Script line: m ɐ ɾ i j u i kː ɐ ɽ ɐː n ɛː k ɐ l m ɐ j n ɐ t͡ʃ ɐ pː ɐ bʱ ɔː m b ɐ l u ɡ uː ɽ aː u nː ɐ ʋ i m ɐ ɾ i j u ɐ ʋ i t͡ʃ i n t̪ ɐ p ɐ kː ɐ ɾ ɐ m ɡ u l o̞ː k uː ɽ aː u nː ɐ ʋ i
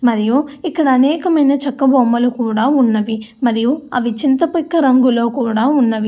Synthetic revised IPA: m ɐ ɾ i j u i kː ɐ ɽ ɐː n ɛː k ɐ m ɐ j n ɐ t͡ʃ ɐ kː ɐ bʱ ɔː m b ɐ l u k uː ɽ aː u nː ɐ ʋ i m ɐ ɾ i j u ɐ ʋ i t͡ʃ i n t̪ ɐ p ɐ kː ɐ ɾ ɐ ŋ ɡ u l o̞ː k uː ɽ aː u nː ɐ ʋ i